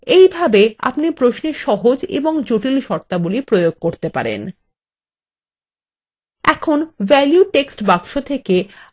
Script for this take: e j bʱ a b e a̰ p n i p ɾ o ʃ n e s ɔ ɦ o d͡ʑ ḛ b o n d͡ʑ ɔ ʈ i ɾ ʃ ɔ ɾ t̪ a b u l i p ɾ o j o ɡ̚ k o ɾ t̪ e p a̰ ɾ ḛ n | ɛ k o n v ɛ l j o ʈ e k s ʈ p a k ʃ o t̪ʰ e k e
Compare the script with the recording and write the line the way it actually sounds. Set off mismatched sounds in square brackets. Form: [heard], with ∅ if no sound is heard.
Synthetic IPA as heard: e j bʱ a b e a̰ p n i p ɾ o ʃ n e [ʃ] ɔ ɦ o d͡ʑ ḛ b o [ŋ] d͡ʑ [o] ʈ i [l] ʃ ɔ ɾ t̪ a b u l i p ɾ o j o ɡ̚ k o ɾ t̪ e p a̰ ɾ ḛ n | ɛ [kʰ] o n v ɛ l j [u] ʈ e k s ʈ [b] a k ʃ o t̪ʰ e k e